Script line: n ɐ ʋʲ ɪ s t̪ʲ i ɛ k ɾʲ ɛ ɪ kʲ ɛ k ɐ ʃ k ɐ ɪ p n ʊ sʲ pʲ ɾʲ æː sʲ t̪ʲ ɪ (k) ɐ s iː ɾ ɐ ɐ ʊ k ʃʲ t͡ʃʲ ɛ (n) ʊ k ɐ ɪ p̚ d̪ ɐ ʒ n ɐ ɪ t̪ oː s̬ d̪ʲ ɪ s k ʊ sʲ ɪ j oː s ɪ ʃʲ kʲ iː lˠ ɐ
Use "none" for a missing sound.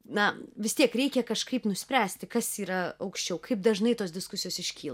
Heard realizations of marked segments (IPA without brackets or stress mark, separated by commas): k, none